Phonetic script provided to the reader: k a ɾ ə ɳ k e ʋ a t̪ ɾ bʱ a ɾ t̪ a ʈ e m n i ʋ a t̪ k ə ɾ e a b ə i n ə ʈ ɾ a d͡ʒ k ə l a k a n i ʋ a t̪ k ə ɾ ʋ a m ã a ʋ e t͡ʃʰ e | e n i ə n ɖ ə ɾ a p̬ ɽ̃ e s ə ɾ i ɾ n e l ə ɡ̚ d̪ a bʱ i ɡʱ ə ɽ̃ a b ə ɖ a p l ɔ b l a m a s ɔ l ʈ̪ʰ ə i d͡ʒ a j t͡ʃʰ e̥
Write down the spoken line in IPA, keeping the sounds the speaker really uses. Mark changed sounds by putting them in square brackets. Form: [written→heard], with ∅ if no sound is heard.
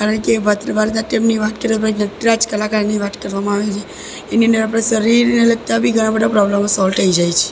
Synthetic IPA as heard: k a ɾ ə ɳ k e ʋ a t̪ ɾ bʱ a ɾ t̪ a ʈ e m n i ʋ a t̪ k ə ɾ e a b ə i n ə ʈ ɾ a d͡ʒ k ə l a k a n i ʋ a t̪ k ə ɾ ʋ a m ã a ʋ e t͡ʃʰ e | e n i ə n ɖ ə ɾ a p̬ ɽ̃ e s ə ɾ i ɾ n e l ə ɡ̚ [d̪→t̪] a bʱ i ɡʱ ə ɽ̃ a b ə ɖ a p [l→ɾ] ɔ b l [a→ə] m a s ɔ l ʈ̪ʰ ə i d͡ʒ a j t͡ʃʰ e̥